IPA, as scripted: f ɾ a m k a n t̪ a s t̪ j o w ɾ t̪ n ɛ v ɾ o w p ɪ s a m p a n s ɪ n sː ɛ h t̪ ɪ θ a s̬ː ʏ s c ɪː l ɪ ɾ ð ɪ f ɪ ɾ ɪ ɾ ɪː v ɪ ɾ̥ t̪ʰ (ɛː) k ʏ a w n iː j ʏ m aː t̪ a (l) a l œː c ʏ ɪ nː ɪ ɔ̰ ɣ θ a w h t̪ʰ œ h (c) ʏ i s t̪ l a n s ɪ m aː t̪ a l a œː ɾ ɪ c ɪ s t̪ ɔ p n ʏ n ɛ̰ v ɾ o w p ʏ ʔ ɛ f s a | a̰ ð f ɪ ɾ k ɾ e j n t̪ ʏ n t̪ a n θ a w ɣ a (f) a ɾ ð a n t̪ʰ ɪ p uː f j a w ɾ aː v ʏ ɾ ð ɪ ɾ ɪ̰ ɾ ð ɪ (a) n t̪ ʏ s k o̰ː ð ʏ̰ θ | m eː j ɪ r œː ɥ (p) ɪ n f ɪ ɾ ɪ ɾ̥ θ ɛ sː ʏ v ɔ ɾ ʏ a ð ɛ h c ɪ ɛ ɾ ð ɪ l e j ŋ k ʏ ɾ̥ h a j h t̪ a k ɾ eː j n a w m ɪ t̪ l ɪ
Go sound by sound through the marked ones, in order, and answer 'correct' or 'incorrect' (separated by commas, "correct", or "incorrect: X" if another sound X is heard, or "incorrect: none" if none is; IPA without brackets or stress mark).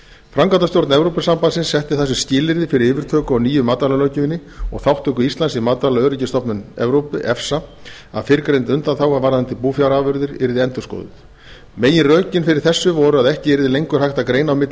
incorrect: œː, correct, incorrect: k, incorrect: v, incorrect: ɛ, incorrect: c